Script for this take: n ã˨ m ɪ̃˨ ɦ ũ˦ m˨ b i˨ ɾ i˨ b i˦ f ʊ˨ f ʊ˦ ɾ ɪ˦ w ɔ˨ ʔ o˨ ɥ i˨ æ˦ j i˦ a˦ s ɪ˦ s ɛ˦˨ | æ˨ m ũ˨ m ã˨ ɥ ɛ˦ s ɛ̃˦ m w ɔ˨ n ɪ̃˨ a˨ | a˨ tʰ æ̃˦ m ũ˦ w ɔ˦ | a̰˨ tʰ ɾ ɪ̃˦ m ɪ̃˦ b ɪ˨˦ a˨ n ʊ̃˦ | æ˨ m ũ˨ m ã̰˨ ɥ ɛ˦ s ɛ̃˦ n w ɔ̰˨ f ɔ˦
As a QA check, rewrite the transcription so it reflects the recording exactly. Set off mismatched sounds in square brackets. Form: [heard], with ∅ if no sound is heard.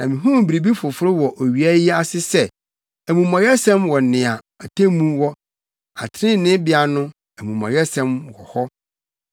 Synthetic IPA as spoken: n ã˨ m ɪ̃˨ ɦ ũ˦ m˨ b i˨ ɾ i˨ b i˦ f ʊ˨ f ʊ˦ ɾ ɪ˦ w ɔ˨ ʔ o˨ ɥ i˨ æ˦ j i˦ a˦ s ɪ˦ s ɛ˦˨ | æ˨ m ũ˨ m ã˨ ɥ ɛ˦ s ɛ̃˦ m w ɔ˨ n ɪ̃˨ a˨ | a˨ tʰ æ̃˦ m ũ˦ w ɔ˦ | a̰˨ tʰ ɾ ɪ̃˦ [n] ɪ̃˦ b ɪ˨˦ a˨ n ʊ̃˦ | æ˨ m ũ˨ m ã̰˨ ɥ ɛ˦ s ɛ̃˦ [m] w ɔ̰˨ [h] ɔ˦